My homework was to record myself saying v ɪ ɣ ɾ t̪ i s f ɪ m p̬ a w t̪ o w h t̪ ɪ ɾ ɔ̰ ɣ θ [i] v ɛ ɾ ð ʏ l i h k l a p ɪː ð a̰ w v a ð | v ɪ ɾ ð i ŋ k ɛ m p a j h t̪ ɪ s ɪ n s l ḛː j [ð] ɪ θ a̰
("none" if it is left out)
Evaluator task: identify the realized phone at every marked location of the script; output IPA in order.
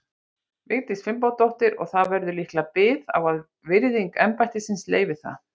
a, v

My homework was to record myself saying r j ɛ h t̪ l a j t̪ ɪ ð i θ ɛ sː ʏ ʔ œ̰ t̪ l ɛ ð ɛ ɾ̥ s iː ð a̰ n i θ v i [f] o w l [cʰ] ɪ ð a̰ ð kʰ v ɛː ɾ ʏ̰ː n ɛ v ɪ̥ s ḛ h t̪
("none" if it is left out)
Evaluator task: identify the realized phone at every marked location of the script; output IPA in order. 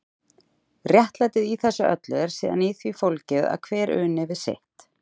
f, c

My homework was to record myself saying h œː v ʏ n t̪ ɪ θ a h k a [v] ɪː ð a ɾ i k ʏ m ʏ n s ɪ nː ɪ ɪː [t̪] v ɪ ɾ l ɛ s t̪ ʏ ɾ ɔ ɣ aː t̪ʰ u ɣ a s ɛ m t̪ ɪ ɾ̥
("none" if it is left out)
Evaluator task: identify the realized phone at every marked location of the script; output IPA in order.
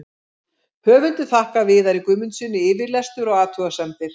v, none

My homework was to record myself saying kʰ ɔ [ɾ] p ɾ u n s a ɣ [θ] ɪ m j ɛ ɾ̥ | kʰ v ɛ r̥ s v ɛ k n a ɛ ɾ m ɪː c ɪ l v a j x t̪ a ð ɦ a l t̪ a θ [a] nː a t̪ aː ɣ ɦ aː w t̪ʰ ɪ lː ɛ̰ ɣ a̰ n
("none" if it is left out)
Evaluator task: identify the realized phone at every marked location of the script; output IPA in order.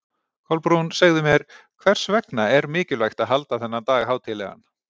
l, ð, ɛ

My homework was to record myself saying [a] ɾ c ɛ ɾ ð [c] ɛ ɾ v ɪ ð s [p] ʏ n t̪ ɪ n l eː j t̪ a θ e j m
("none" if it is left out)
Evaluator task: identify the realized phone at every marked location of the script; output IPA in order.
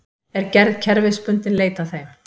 ɛ, cʰ, p

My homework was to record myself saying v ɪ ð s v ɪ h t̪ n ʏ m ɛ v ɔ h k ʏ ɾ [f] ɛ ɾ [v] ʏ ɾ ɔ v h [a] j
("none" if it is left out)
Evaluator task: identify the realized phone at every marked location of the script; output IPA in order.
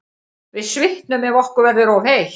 v, ð, e

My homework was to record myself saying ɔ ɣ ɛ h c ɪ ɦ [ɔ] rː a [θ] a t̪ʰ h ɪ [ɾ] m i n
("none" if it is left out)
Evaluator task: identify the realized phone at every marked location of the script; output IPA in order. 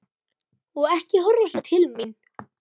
ɔ, s, l

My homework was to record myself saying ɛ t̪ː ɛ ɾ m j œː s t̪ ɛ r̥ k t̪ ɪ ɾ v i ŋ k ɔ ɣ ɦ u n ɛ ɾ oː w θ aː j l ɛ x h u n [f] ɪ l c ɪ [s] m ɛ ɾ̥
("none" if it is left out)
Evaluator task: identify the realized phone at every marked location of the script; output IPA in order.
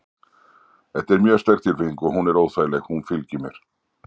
f, none

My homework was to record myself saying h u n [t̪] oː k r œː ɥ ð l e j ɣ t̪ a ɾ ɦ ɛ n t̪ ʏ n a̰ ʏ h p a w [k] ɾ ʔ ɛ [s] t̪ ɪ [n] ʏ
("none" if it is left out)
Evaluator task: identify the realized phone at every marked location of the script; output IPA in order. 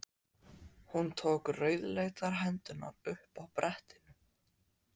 t̪ʰ, p, h, n

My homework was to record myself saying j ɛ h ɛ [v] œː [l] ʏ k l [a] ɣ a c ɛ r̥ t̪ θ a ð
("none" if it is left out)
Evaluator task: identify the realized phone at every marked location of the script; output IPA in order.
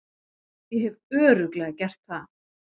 v, ɾ, ɛ

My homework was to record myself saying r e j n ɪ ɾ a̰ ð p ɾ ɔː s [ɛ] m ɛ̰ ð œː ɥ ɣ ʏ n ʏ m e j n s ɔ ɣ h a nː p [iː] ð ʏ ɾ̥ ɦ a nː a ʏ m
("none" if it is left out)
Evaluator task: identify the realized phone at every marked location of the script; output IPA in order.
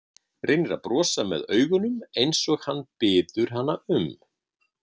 a, ɪː

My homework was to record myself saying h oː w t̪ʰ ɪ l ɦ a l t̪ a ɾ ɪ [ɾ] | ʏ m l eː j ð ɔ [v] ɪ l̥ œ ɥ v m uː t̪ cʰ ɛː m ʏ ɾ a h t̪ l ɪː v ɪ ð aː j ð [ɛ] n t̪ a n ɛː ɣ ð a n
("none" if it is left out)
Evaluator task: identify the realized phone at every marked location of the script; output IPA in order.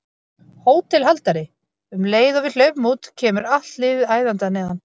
none, v, a

